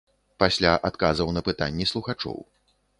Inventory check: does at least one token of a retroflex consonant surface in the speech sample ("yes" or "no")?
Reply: yes